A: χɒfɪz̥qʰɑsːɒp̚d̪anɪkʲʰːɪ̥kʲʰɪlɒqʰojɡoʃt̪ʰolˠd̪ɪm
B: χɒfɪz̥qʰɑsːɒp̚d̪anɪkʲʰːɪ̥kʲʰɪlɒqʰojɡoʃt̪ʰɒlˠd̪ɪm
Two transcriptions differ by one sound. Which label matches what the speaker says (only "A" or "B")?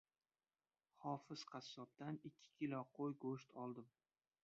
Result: B